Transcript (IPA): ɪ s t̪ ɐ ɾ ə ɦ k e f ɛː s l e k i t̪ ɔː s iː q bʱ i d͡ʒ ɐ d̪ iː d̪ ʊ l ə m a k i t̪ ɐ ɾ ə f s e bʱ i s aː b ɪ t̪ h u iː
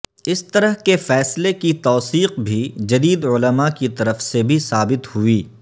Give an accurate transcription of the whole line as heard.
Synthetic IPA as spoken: ɪ s t̪ ɐ ɾ ə ɦ k e f ɛː s l e k i t̪ ɔː s iː q bʱ i d͡ʒ ɐ d̪ iː d̪ ʊ l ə m a k i t̪ ɐ ɾ ə f s e bʱ i s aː b ɪ t̪ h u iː